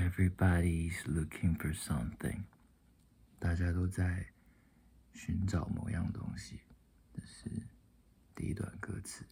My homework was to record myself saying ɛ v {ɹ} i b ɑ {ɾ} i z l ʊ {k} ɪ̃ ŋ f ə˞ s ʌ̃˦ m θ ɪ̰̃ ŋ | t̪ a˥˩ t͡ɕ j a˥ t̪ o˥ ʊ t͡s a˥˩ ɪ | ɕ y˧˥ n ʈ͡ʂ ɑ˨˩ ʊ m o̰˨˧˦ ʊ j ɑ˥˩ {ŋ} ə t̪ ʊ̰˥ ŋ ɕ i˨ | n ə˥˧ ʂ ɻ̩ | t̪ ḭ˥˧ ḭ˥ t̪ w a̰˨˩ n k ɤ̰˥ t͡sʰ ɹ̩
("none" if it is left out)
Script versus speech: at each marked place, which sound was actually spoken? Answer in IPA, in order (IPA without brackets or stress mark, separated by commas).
ɹ, ɾ, kʰ, ŋ